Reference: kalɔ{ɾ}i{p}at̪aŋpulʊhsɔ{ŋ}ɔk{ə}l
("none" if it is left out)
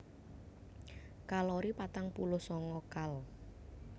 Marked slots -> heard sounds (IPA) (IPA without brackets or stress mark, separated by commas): ɾ, p, ŋ, a